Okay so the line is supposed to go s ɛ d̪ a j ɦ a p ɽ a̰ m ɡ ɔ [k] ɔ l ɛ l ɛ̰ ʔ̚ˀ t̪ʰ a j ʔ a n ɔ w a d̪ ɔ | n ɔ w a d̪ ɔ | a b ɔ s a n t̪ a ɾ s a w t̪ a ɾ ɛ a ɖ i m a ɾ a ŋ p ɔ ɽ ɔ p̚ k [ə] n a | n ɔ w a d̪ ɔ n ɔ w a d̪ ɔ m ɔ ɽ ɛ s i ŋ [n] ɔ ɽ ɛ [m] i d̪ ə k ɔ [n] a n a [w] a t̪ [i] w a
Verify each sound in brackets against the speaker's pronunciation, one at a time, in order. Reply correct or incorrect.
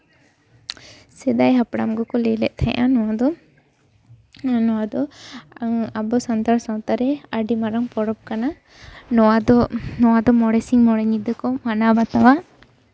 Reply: correct, incorrect, incorrect, incorrect, incorrect, incorrect, incorrect

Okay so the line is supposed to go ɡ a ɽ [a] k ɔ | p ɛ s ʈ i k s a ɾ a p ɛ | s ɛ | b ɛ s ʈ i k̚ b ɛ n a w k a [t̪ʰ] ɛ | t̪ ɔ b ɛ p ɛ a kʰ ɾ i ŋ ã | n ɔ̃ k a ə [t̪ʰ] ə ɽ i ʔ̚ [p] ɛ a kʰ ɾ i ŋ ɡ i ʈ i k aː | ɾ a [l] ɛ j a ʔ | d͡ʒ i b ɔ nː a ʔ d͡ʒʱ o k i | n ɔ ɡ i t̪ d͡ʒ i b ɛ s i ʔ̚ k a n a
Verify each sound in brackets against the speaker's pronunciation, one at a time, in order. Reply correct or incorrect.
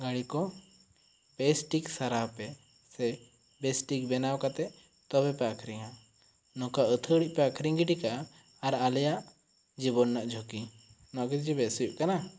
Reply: incorrect, incorrect, correct, correct, correct

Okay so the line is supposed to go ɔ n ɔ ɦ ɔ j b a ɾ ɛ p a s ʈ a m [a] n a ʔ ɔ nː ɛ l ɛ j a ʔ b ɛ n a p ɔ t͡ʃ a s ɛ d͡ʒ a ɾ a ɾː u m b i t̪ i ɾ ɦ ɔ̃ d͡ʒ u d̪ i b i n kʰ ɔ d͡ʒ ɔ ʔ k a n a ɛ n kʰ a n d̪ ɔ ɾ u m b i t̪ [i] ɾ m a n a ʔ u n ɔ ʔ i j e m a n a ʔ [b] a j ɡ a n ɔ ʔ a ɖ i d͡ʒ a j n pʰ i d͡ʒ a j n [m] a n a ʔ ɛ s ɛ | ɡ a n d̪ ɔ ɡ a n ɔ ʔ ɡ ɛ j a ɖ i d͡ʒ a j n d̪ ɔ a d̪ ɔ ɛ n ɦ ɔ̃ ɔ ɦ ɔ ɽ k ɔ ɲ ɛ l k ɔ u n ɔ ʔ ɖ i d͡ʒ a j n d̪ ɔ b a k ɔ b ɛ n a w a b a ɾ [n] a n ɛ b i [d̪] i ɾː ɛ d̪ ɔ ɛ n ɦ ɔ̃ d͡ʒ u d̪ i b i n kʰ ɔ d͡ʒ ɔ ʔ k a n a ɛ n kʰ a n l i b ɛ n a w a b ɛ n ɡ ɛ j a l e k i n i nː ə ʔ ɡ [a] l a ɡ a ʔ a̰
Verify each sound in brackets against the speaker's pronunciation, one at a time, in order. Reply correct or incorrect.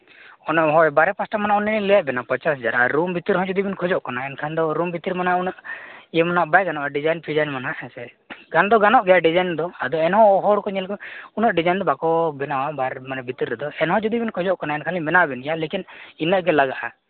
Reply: correct, correct, correct, correct, incorrect, incorrect, incorrect

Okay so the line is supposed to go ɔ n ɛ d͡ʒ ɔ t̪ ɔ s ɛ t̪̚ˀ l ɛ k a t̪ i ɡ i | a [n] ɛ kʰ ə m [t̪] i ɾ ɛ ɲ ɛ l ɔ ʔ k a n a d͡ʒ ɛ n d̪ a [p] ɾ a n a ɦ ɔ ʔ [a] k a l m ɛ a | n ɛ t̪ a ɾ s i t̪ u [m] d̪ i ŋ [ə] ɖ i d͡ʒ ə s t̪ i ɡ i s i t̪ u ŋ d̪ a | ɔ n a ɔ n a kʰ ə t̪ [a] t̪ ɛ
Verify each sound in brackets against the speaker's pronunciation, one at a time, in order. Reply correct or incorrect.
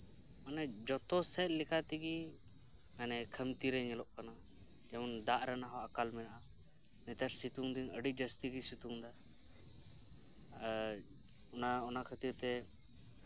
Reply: correct, correct, incorrect, correct, incorrect, correct, incorrect

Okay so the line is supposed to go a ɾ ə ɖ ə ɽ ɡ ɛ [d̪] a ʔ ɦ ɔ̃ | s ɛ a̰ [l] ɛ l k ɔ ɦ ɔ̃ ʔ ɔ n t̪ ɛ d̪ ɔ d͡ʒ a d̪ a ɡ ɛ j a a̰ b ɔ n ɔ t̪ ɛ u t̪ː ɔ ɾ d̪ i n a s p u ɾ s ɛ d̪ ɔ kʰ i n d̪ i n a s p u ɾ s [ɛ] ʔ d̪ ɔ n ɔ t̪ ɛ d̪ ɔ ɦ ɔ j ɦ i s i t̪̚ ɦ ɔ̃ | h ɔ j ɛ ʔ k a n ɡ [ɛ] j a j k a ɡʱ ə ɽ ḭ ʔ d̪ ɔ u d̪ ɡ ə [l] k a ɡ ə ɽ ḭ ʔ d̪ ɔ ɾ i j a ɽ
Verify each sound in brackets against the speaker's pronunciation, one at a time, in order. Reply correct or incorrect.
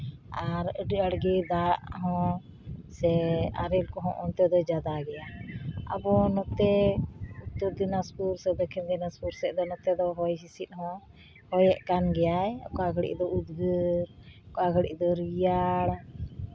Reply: correct, incorrect, correct, correct, incorrect

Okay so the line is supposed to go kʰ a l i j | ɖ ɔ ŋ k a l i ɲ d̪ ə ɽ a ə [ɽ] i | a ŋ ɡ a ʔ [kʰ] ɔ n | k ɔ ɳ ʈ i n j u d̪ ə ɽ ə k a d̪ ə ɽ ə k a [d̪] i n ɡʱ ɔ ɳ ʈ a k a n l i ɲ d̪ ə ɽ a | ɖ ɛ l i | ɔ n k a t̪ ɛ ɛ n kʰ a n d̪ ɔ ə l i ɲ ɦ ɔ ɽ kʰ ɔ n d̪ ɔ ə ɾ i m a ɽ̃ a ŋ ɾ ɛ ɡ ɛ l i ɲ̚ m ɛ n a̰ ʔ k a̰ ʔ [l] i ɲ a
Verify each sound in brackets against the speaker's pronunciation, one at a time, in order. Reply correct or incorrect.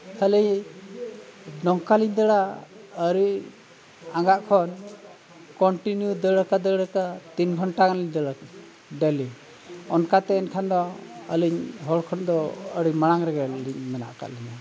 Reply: incorrect, correct, incorrect, correct

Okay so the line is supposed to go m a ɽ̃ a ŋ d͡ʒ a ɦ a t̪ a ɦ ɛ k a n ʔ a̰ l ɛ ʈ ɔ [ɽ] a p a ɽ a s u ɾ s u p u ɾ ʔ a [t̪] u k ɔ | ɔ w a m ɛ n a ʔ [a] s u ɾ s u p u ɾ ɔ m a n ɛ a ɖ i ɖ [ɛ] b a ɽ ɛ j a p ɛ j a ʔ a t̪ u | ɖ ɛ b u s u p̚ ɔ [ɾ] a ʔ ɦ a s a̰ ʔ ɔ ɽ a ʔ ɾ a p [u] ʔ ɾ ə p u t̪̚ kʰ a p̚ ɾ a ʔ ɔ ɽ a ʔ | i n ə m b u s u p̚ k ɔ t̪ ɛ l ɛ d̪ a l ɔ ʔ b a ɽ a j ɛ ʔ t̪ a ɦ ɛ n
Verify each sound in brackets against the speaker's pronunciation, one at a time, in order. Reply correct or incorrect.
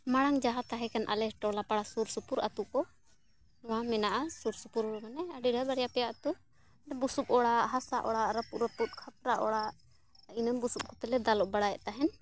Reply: incorrect, correct, correct, incorrect, incorrect, correct

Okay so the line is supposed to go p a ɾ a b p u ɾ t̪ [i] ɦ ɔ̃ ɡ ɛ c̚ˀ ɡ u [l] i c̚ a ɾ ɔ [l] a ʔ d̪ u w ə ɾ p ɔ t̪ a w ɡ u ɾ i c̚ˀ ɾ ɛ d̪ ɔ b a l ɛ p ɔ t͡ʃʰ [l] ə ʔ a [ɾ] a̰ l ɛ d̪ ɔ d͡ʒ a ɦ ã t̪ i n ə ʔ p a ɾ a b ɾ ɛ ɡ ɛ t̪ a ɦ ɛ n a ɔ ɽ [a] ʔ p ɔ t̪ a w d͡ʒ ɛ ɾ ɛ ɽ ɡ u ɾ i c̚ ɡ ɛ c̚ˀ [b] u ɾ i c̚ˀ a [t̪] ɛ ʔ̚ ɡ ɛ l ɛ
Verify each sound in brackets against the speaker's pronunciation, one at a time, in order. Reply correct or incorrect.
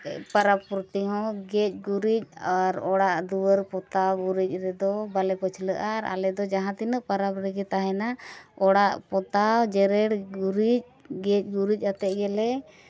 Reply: correct, incorrect, incorrect, correct, correct, correct, incorrect, correct

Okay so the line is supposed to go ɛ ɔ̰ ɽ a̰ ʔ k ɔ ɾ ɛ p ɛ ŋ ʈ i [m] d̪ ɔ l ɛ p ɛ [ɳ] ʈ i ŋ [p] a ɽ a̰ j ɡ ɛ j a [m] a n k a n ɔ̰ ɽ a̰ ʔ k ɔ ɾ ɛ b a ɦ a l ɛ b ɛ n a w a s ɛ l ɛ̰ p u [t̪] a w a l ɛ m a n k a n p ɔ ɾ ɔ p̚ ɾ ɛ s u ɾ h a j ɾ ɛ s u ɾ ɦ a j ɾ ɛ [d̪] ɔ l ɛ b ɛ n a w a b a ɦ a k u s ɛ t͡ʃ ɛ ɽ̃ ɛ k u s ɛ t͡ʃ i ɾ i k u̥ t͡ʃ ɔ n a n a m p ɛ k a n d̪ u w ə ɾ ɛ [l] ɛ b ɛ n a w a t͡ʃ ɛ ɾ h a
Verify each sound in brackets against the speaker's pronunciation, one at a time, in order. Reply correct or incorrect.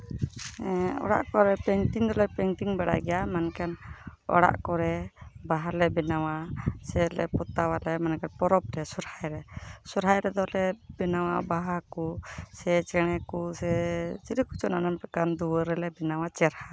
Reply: incorrect, incorrect, incorrect, correct, correct, correct, correct

